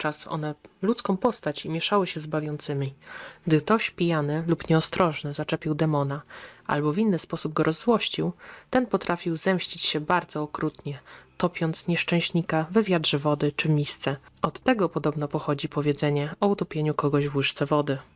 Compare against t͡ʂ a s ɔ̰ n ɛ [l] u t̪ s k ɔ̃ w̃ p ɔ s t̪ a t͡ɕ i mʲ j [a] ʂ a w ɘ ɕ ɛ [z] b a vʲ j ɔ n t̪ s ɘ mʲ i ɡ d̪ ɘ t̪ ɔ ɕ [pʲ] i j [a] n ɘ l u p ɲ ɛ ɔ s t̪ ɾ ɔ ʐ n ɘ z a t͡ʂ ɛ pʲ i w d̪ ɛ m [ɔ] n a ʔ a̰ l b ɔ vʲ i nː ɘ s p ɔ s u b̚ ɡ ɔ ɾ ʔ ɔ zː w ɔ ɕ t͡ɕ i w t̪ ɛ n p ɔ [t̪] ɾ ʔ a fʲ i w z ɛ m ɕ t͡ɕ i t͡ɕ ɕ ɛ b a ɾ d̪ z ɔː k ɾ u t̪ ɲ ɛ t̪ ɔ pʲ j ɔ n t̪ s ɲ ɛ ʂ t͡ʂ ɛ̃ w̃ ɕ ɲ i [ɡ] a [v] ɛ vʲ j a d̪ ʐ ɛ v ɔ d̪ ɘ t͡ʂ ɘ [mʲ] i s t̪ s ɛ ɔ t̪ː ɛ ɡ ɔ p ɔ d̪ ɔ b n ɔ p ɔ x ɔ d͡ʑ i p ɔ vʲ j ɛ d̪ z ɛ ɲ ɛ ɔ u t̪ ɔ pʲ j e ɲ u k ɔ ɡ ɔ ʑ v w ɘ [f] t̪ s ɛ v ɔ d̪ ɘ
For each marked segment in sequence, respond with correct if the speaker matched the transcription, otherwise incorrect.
correct, incorrect: ɛ, correct, correct, correct, correct, correct, incorrect: k, correct, correct, incorrect: ʂ

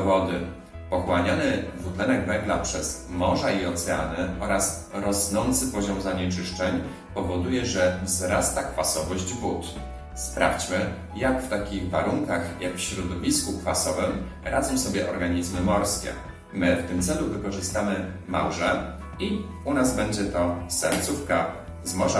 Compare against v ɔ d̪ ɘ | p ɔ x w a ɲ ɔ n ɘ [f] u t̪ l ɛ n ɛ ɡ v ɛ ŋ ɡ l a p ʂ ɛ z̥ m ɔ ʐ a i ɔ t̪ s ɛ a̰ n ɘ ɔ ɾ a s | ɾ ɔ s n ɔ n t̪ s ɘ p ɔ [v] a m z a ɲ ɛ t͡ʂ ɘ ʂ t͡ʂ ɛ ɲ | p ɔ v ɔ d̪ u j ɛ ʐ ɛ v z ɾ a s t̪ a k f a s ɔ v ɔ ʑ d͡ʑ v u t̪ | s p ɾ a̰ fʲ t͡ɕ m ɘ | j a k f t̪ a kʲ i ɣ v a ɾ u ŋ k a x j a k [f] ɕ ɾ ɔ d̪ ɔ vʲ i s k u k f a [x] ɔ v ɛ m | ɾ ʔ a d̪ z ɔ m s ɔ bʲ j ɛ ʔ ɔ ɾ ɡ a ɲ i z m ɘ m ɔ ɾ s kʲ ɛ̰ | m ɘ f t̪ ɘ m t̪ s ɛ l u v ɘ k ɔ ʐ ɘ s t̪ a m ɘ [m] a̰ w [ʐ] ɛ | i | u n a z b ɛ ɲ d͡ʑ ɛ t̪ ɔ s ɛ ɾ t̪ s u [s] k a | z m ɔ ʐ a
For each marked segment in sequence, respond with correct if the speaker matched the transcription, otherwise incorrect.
incorrect: v, incorrect: ʑ, correct, incorrect: s, correct, correct, incorrect: f

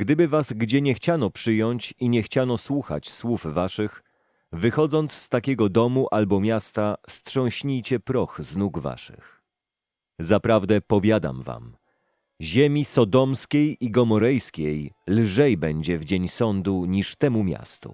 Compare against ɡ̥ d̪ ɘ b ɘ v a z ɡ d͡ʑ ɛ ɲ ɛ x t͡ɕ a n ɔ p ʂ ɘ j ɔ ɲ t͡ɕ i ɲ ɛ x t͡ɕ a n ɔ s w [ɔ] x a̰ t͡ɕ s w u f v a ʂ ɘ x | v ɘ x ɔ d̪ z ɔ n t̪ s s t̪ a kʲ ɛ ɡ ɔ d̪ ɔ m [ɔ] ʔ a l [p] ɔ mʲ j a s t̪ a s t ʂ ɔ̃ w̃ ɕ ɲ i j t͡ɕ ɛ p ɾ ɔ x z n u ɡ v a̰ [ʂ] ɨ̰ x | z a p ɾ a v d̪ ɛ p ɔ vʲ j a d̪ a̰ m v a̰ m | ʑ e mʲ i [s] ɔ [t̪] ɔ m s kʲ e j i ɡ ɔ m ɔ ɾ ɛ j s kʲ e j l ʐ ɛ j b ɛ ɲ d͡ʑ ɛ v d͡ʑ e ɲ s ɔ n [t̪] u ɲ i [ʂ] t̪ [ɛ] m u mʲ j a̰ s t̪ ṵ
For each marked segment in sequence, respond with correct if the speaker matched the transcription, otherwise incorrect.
incorrect: u, incorrect: u, incorrect: b, correct, correct, incorrect: d̪, incorrect: d̪, correct, correct

